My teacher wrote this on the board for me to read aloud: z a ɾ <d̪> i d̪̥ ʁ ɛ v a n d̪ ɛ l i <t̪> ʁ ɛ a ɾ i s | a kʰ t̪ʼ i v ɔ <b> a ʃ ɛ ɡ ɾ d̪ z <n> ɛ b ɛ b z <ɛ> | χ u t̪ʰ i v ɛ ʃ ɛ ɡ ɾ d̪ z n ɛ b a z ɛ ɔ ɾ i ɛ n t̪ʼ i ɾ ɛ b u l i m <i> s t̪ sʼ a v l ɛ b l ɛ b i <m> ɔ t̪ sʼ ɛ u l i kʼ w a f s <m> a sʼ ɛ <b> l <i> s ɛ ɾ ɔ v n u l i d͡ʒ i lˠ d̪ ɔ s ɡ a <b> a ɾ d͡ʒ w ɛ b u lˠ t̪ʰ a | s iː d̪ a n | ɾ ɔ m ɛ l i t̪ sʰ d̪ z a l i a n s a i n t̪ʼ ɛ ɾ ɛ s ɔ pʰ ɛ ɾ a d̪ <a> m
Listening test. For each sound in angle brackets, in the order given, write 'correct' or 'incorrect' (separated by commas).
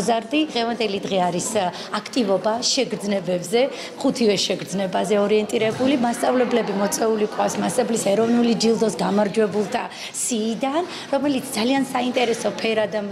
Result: correct, incorrect, correct, correct, correct, incorrect, correct, correct, correct, correct, incorrect, correct